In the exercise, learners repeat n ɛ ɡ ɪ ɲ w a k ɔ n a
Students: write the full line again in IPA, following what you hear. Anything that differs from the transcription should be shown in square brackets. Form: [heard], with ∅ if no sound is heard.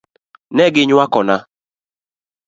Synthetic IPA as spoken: n ɛ ɡ ɪ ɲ w a k ɔ n a